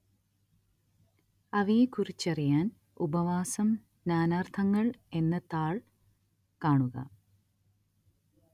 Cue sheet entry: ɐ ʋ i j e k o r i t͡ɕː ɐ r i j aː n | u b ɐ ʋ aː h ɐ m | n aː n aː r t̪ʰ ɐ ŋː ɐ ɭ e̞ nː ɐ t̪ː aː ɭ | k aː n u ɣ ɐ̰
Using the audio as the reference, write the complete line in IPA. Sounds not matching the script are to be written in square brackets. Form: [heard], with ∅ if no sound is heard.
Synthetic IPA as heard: ɐ ʋ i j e k [u] r i t͡ɕː ɐ r i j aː n | u b ɐ ʋ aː [s] ɐ m | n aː n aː r t̪ʰ ɐ ŋː ɐ ɭ e̞ nː ɐ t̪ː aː ɭ | k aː [ɳ] u ɣ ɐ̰